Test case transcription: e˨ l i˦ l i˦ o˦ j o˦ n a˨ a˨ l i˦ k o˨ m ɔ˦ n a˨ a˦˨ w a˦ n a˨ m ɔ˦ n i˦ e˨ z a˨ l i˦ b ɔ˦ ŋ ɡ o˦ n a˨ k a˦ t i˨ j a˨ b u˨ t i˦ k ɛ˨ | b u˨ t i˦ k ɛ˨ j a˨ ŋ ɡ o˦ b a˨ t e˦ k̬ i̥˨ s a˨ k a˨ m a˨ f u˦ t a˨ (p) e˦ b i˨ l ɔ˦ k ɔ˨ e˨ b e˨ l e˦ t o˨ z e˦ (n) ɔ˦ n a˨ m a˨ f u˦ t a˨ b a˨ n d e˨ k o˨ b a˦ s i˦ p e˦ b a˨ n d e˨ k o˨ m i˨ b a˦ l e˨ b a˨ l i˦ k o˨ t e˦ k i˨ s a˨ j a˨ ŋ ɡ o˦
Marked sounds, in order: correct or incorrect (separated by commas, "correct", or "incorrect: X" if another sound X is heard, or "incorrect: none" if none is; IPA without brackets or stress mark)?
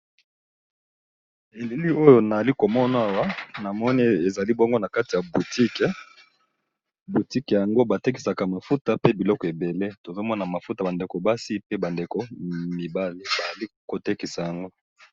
correct, incorrect: m